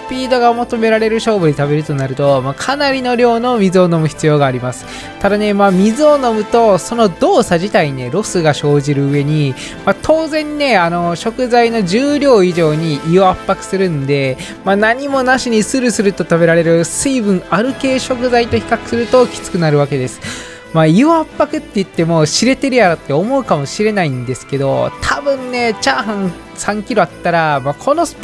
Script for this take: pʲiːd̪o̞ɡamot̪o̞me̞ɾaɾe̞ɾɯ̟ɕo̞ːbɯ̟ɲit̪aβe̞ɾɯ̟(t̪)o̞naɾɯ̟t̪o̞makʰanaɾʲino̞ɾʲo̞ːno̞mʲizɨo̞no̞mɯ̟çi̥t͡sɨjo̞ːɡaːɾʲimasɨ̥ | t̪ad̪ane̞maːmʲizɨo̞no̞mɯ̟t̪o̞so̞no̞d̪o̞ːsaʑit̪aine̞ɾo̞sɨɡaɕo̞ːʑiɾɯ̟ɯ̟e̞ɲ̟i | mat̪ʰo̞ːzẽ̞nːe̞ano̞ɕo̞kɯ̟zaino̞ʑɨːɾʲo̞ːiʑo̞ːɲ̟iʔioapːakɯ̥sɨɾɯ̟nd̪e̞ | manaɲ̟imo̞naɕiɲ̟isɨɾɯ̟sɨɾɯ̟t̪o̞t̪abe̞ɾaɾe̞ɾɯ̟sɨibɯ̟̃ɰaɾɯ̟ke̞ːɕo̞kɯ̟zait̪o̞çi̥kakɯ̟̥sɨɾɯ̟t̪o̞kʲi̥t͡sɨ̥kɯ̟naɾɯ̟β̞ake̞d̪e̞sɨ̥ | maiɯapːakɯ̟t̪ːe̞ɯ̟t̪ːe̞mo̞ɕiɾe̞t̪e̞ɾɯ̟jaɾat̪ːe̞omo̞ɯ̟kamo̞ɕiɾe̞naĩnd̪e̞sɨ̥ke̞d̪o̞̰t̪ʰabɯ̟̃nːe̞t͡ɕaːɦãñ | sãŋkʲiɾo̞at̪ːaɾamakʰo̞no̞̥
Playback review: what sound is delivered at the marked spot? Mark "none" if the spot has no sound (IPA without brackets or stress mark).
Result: t̪